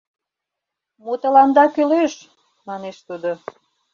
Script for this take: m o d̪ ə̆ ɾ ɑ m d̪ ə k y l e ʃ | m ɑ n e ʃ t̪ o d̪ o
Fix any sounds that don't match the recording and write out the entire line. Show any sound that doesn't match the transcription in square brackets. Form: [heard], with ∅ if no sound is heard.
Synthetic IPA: m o [t̪] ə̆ [l] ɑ [n] d̪ [ɑ] k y l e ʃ | m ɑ n e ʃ t̪ [u] d̪ o